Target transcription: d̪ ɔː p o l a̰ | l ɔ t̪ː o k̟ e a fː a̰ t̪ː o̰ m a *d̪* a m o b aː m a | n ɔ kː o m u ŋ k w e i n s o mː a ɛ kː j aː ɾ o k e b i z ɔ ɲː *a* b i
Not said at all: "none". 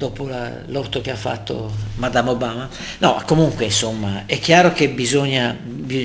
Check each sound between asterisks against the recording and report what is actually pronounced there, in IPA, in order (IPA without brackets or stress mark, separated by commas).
d̪, a